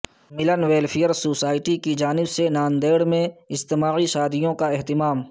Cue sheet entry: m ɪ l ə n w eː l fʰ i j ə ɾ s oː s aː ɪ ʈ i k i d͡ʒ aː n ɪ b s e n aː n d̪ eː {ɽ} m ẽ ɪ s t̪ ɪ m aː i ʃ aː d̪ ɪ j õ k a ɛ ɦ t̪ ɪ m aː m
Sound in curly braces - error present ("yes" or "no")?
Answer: no